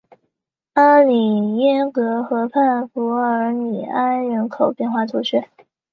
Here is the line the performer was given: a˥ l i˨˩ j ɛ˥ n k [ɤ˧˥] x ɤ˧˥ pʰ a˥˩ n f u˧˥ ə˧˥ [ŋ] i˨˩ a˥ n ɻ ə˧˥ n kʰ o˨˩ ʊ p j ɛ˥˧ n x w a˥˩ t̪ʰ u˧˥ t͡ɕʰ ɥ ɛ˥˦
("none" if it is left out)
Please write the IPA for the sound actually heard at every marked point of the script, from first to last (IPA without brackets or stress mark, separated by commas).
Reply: ɤ˧˥, n